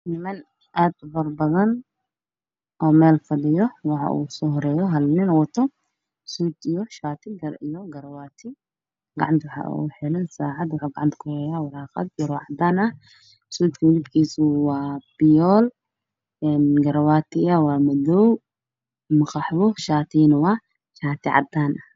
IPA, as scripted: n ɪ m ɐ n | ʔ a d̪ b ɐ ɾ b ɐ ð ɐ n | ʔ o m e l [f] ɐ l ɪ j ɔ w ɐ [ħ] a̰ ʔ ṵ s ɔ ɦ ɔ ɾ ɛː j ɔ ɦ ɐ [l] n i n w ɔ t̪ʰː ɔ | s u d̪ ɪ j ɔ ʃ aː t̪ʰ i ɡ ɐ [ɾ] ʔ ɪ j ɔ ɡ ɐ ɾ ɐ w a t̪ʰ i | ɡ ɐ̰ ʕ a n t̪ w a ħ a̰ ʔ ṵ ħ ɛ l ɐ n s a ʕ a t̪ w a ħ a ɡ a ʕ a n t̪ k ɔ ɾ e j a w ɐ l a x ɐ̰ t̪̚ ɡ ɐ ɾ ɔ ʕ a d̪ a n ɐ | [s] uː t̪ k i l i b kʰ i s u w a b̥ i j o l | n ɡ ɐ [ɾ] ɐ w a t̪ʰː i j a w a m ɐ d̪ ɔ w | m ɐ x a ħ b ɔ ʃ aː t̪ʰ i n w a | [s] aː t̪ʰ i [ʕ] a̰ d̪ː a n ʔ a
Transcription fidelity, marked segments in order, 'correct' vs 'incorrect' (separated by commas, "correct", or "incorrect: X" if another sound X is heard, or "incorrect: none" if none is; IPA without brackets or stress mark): correct, correct, correct, correct, correct, correct, incorrect: ʃ, correct